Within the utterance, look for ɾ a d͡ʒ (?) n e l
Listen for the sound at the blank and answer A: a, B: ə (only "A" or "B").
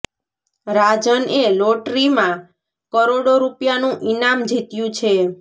B